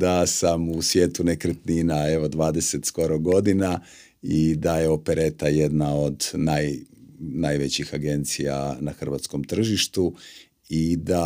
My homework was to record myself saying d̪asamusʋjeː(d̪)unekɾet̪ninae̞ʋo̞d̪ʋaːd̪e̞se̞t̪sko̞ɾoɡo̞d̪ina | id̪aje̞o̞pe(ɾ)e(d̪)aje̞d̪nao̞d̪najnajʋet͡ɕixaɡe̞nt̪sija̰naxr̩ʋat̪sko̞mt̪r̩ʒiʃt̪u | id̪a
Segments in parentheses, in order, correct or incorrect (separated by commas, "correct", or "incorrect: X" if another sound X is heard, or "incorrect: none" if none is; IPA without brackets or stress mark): incorrect: t̪, correct, incorrect: t̪